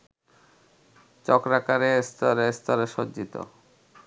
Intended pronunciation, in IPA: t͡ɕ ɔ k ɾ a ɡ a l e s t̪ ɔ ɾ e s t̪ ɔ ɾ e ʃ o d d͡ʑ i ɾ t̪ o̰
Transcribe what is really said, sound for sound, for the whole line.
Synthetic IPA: t͡ɕ ɔ k ɾ a k a ɾ e s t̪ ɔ ɾ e s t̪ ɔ ɾ e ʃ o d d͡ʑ i t̪ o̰

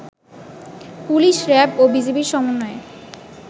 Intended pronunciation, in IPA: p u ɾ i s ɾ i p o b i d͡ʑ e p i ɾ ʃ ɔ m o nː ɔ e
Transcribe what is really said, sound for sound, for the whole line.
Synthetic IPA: p u l i ʃ ɾ ɛ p o b i d͡ʑ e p i ɾ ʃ ɔ m o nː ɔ e

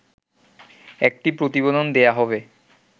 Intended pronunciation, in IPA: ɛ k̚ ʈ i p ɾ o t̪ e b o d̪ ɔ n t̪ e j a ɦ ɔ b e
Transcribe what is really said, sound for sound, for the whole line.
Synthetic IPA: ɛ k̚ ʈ i p ɾ o t̪ i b o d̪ o n d̪ e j a ɦ ɔ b e

